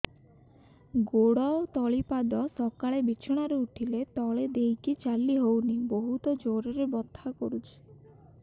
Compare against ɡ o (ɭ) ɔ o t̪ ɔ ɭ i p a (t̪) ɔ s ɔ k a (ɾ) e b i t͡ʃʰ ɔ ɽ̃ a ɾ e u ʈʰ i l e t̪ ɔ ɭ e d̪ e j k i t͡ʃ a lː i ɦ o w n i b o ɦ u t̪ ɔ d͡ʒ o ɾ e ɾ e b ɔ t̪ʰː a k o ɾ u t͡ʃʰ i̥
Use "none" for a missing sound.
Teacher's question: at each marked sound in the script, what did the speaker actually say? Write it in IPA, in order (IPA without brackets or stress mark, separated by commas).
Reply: ɽ, d̪, ɭ